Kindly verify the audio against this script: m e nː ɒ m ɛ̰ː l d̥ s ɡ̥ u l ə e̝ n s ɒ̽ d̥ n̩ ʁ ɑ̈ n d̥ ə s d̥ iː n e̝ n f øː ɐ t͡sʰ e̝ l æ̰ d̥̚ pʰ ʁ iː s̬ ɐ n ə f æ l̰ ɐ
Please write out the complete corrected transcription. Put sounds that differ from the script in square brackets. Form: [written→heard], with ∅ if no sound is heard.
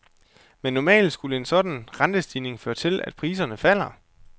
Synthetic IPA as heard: m e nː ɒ m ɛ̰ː l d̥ s ɡ̥ u l ə e̝ n s ɒ̽ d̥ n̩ ʁ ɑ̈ n d̥ ə s d̥ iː n e̝ [n→ŋ] f øː ɐ t͡sʰ e̝ l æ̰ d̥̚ pʰ ʁ iː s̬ ɐ n ə f æ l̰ ɐ